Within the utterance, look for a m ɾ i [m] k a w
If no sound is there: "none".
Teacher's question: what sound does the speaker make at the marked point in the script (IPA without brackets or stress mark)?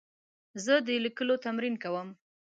n